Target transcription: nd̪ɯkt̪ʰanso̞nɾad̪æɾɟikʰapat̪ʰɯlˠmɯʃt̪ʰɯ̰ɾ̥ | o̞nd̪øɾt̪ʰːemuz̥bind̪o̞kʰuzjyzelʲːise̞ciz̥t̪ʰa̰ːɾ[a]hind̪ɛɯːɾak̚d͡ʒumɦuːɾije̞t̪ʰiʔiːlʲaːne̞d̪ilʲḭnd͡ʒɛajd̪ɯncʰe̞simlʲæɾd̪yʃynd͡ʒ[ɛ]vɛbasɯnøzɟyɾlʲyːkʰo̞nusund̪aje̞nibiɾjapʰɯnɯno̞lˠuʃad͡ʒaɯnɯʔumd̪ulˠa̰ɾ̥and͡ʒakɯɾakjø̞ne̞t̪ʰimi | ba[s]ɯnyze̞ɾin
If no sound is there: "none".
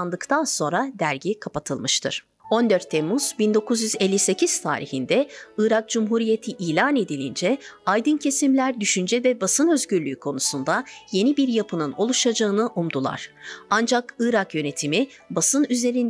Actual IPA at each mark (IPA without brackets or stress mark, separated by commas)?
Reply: i, ɛ, s